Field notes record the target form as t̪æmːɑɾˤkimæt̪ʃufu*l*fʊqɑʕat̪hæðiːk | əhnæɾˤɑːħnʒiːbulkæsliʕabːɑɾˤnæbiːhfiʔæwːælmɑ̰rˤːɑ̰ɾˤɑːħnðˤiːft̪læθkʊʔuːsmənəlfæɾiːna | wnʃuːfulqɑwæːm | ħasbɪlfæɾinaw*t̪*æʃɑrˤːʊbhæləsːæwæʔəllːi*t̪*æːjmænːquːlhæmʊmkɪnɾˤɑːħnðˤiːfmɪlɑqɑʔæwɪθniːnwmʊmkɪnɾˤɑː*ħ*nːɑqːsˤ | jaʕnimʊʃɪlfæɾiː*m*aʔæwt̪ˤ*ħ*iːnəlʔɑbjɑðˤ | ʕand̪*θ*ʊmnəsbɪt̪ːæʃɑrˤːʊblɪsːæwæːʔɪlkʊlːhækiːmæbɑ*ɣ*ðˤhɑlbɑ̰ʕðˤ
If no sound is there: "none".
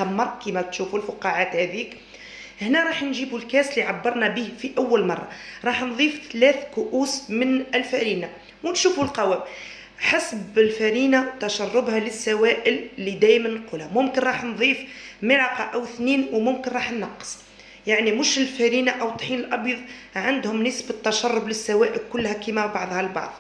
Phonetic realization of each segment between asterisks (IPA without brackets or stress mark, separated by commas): l, t̪, d̪, ħ, n, ħ, h, ʕ